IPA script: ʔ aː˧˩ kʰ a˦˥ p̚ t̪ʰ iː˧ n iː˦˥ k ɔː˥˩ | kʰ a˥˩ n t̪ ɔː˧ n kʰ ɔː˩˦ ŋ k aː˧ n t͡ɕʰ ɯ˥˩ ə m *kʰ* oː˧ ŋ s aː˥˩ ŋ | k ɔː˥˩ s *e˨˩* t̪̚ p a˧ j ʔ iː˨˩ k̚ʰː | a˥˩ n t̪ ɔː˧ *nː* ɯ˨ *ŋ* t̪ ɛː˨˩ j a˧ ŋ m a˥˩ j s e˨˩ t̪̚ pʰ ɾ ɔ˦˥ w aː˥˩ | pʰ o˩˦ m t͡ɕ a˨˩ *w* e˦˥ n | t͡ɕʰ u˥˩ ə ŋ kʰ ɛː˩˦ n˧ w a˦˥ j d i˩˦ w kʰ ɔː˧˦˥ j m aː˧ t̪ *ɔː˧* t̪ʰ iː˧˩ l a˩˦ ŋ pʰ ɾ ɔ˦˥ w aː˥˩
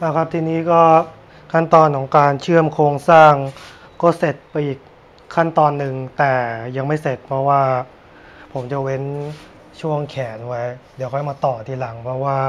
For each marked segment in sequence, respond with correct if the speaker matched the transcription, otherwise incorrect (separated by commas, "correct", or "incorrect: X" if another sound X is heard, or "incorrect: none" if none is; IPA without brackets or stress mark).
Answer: correct, correct, correct, correct, correct, incorrect: ɔː˨˩